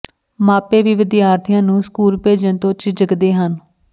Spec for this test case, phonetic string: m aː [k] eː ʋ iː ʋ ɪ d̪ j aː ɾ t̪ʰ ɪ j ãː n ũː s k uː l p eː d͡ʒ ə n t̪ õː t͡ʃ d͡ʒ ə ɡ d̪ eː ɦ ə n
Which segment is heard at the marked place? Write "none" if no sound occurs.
p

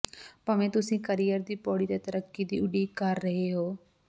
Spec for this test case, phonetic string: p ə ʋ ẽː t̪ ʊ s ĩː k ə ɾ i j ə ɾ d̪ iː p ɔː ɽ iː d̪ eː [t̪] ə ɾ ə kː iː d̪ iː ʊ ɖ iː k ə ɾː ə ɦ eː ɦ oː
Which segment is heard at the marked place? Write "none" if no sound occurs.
t̪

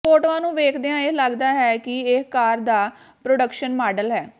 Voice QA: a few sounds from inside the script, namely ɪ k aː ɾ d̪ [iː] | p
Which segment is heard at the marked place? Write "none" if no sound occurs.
aː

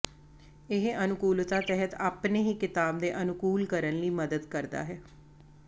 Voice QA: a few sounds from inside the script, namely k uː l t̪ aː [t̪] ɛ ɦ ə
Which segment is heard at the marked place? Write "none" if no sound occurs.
t̪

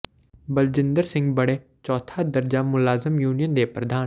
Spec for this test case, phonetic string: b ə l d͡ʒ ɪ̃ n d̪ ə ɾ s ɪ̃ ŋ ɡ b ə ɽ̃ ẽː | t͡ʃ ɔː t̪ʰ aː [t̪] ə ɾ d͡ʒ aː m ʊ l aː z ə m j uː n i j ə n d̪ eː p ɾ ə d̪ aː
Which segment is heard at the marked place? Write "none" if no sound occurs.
d̪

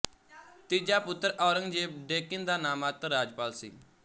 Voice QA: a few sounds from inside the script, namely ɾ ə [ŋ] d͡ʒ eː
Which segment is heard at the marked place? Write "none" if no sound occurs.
ŋ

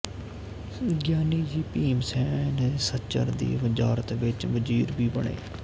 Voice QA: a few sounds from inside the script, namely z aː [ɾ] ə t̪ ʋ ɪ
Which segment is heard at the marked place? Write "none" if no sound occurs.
ɾ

